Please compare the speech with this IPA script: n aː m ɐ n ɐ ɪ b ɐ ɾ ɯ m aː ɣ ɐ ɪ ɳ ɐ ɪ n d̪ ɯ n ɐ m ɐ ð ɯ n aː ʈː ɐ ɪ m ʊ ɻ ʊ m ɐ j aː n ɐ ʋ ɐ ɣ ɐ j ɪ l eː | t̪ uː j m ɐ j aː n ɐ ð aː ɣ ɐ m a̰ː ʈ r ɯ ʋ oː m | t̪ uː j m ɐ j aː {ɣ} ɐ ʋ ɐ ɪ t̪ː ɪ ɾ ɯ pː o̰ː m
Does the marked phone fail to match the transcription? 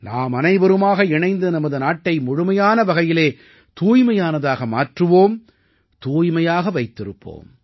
no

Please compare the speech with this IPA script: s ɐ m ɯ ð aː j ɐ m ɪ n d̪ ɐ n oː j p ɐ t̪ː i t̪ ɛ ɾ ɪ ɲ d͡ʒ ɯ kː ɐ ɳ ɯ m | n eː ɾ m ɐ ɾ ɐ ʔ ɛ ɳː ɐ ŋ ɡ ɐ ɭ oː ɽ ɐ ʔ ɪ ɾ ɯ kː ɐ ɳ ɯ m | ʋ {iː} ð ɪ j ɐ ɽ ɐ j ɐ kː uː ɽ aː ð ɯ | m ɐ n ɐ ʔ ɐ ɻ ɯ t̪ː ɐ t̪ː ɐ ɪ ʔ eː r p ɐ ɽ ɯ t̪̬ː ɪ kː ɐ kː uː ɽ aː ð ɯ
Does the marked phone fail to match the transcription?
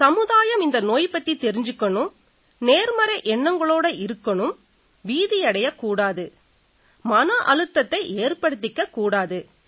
no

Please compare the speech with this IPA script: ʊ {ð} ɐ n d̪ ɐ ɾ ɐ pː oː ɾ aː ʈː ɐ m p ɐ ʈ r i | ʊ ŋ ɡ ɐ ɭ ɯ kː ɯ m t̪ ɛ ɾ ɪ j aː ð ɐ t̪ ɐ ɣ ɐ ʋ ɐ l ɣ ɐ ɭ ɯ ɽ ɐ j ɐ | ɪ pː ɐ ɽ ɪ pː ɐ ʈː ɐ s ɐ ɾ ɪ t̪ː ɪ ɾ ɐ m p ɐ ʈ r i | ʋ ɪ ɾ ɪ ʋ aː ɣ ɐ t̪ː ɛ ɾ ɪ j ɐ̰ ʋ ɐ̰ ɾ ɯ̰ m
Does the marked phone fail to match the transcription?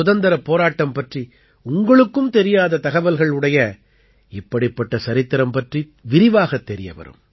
no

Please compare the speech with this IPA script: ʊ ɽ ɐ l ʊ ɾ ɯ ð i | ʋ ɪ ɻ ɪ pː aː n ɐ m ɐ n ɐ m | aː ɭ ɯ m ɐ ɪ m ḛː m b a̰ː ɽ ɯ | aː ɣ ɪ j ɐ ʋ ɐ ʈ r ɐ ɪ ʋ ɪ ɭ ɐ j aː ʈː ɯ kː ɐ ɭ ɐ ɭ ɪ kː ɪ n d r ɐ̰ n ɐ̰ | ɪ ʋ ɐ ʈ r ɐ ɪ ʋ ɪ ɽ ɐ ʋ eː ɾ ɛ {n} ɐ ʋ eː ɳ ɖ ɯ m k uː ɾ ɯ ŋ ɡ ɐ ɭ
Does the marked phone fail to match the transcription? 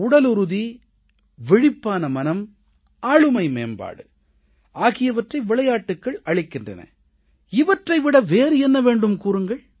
yes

